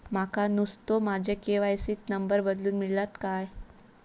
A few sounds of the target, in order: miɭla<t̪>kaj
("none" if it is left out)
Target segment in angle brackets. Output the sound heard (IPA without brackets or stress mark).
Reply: t̪